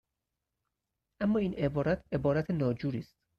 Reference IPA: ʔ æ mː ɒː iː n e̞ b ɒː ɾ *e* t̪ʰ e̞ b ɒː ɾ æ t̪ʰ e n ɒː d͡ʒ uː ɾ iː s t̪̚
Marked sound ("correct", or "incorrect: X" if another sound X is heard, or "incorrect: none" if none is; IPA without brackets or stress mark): incorrect: æ